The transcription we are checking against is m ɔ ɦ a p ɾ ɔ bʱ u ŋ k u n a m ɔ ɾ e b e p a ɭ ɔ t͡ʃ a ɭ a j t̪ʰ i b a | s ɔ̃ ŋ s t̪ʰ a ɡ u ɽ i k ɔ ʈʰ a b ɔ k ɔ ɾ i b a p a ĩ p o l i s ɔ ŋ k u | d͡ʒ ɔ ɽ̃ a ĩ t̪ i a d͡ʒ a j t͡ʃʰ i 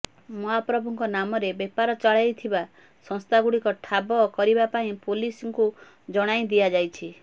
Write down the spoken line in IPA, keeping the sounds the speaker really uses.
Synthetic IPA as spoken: m ɔ ɦ a p ɾ ɔ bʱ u ŋ k ɔ n a m ɔ ɾ e b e p a ɾ ɔ t͡ʃ a ɭ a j t̪ʰ i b a | s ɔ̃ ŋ s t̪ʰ a ɡ u ɽ i k ɔ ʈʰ a b ɔ k ɔ ɾ i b a p a ĩ p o l i s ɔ ŋ k u | d͡ʒ ɔ ɽ̃ a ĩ d̪ i a d͡ʒ a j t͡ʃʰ i